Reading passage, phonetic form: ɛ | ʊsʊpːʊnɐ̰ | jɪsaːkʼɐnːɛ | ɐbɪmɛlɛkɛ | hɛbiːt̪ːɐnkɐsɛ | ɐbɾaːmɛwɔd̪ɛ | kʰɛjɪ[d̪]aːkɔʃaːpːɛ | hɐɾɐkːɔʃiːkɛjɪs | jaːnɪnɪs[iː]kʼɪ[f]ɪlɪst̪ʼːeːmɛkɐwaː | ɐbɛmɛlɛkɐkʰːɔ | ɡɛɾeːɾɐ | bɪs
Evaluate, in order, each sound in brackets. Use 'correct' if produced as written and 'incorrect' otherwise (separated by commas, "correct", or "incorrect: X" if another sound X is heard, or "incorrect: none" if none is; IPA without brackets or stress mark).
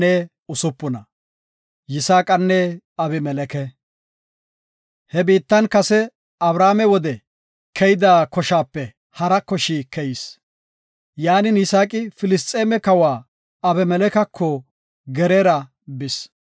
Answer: correct, incorrect: aː, correct